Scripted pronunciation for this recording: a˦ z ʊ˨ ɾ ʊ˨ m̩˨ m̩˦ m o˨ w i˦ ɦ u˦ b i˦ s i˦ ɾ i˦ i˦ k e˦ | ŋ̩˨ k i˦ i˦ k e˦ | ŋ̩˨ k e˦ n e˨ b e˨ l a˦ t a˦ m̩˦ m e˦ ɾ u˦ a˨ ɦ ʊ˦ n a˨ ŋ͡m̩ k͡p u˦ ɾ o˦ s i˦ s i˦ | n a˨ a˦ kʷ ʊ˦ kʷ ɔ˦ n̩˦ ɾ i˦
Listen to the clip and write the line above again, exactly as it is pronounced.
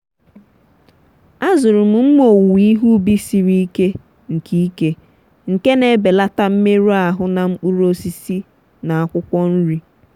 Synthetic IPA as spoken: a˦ z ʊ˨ ɾ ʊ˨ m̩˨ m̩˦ m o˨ w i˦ ɦ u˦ b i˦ s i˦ ɾ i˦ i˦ k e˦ | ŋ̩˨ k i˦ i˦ k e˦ | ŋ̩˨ k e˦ n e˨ b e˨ l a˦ t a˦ m̩˦ m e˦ ɾ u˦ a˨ ɦ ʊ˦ n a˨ ŋ͡m̩ k͡p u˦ ɾ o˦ s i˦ s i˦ | n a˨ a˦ kʷ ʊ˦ kʷ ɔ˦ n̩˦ ɾ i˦